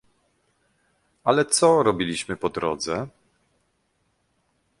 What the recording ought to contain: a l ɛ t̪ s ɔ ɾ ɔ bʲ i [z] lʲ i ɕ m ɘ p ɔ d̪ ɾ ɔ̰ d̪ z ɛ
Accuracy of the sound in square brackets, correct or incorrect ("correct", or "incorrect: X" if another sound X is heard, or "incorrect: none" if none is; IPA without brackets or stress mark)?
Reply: incorrect: none